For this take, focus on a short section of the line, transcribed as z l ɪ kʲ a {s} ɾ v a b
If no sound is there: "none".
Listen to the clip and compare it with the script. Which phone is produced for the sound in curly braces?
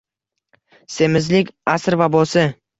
s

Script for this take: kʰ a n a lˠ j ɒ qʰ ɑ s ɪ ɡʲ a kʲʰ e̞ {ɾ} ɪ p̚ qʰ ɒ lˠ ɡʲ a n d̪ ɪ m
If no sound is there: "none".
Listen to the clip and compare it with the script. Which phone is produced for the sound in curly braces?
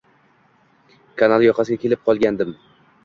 l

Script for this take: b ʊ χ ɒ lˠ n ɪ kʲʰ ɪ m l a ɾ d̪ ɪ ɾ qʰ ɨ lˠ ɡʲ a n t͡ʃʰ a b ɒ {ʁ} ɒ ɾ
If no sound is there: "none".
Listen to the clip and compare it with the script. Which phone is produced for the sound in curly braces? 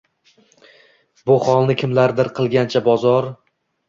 z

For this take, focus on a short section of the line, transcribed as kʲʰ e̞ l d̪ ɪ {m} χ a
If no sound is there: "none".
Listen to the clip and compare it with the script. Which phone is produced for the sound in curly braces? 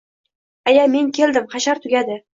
m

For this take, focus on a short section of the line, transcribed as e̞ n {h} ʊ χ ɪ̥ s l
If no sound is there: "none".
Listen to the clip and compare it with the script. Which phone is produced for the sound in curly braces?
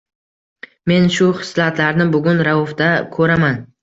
ʃ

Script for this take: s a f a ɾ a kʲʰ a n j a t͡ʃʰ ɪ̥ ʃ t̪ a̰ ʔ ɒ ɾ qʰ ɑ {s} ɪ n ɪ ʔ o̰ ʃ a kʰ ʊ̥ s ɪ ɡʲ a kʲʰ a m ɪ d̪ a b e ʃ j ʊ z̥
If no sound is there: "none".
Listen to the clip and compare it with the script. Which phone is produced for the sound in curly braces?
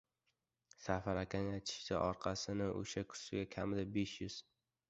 s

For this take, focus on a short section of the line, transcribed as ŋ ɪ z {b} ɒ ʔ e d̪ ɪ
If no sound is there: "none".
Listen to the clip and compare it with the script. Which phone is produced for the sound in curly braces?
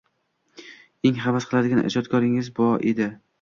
b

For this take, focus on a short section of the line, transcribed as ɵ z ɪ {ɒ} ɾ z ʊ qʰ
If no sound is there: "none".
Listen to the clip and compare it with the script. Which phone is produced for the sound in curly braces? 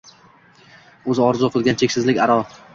ɒ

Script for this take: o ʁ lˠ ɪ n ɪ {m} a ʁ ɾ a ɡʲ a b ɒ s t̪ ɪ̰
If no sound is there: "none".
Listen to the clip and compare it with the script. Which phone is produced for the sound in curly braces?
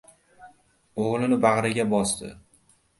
b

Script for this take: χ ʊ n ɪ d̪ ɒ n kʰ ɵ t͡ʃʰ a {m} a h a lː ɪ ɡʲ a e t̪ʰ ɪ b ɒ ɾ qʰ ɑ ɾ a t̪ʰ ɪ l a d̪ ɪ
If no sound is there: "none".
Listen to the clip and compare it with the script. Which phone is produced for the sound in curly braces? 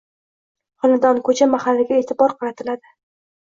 m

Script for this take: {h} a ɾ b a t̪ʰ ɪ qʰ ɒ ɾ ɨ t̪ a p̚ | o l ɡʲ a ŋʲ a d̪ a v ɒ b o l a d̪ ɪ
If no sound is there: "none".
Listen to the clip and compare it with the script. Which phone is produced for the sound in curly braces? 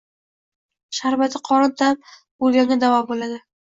ʃ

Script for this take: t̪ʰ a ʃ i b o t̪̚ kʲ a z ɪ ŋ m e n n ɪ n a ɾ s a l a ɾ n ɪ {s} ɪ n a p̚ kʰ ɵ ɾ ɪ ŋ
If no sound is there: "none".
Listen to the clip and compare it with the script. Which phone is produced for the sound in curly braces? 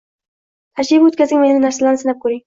s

